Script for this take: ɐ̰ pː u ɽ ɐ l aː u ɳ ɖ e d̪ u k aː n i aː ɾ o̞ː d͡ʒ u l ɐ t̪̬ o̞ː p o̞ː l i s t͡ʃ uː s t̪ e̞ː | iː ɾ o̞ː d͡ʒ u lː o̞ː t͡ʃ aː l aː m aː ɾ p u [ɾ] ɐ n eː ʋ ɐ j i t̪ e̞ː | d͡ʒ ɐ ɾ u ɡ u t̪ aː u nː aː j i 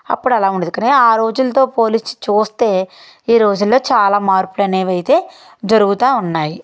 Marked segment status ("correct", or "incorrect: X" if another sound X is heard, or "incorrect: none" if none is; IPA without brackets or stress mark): incorrect: l